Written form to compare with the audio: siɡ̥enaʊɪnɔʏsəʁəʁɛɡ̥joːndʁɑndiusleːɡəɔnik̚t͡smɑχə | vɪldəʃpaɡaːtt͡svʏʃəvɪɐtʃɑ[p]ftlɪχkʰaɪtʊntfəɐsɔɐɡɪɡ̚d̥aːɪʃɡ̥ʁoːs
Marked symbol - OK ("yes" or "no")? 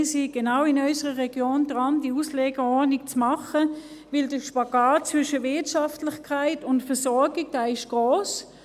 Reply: no